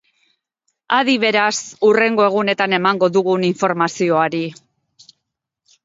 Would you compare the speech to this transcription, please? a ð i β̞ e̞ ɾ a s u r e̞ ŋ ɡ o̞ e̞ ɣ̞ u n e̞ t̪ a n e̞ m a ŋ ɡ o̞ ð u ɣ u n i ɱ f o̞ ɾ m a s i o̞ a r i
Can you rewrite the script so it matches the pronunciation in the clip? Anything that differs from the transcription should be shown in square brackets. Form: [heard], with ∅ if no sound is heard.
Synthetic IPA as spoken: a ð i β̞ e̞ ɾ a s u r e̞ ŋ ɡ o̞ e̞ ɣ̞ u n e̞ t̪ a n e̞ m a ŋ ɡ o̞ ð u ɣ u n i ɱ f o̞ ɾ m a s i o̞ a [ɾ] i